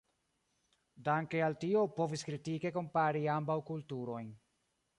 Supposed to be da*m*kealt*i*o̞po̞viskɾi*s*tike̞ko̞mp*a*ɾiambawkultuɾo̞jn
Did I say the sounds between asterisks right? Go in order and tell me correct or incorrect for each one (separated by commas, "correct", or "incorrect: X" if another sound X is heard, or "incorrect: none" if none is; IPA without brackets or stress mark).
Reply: incorrect: ŋ, correct, incorrect: none, correct